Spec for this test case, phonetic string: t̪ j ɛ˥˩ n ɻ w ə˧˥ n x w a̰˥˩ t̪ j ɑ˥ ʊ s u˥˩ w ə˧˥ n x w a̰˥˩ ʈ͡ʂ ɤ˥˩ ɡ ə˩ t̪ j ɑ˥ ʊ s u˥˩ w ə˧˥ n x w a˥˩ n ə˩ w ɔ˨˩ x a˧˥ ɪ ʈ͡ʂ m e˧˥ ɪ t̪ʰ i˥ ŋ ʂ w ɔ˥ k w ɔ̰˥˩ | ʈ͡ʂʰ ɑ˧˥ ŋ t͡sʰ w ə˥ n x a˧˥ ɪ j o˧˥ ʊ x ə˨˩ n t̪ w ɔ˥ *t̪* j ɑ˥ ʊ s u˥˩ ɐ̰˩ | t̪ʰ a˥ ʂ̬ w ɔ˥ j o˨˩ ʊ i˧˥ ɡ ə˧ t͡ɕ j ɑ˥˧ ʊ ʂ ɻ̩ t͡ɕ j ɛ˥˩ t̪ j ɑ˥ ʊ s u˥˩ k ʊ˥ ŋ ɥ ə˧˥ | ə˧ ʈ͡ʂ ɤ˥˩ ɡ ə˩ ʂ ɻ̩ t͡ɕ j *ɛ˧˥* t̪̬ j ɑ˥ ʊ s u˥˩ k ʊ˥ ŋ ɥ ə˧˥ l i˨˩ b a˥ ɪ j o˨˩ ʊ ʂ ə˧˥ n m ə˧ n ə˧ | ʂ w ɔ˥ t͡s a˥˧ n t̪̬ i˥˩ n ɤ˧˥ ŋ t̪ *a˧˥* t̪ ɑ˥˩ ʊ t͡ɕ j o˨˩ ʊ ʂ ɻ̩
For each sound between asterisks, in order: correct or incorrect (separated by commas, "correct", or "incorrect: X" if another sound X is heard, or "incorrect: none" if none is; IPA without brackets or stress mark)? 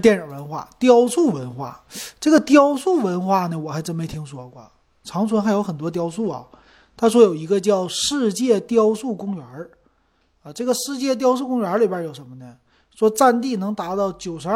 correct, incorrect: ɛ˥˧, correct